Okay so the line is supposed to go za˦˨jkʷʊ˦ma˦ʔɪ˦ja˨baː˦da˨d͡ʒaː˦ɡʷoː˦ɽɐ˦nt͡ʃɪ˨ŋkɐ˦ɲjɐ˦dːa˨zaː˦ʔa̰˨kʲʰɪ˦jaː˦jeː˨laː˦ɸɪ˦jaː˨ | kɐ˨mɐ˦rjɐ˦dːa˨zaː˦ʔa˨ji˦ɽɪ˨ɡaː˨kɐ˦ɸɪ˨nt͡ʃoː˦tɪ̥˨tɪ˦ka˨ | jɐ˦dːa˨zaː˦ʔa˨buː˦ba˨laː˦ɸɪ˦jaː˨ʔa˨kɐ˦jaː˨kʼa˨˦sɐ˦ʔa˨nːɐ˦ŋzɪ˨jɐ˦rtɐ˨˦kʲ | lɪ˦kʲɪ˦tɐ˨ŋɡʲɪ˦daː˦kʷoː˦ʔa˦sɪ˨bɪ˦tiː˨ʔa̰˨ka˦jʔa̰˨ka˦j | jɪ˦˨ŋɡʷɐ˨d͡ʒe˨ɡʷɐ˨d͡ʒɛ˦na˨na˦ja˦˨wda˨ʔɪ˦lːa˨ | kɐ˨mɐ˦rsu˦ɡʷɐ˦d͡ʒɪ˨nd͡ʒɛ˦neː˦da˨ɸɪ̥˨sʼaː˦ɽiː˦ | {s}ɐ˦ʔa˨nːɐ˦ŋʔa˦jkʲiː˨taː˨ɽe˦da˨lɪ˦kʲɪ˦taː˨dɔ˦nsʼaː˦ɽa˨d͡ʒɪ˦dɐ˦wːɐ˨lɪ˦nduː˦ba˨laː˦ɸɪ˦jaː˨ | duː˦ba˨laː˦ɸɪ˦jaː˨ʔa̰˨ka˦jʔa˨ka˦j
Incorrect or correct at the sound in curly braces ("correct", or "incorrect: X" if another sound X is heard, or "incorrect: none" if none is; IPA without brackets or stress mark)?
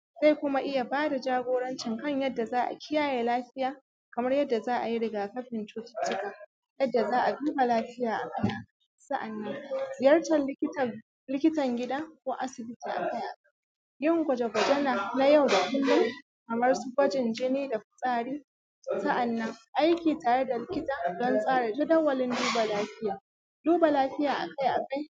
correct